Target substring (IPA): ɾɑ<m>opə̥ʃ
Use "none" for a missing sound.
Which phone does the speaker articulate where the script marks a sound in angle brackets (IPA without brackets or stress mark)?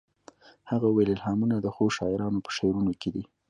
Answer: n